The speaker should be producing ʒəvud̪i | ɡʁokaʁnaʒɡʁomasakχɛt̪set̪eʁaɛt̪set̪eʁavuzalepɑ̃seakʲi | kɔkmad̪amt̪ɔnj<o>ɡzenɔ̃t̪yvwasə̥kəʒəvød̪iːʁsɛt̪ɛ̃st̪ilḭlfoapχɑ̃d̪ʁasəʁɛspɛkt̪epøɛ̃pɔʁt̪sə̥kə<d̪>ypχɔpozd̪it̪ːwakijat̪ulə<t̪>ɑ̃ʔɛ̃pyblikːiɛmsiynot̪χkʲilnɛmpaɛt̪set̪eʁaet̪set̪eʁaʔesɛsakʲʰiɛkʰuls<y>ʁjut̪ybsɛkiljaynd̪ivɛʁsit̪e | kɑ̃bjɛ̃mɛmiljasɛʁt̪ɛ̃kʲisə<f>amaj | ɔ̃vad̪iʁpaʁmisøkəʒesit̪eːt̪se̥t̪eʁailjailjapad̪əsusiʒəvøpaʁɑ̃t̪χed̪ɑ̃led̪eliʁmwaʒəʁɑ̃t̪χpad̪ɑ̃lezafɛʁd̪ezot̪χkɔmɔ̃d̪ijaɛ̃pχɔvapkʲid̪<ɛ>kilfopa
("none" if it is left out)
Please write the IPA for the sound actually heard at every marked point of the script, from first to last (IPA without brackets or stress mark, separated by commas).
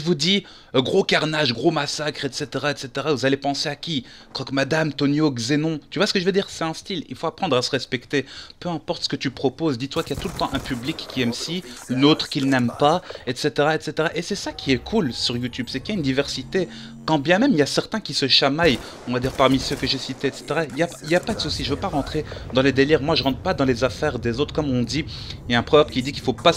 o, t̪, t̪, y, ʃ, i